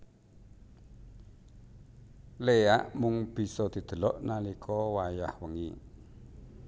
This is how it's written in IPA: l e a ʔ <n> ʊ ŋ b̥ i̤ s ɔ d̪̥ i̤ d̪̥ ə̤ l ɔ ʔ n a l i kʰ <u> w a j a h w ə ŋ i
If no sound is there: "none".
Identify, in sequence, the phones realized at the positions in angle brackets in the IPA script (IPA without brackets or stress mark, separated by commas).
m, ɔ